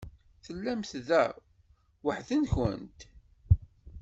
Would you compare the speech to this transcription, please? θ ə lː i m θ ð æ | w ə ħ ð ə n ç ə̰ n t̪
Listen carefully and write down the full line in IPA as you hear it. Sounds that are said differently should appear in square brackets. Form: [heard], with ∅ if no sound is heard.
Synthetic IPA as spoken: θ ə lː [æ] m θ ð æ | w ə ħ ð ə n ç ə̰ n t̪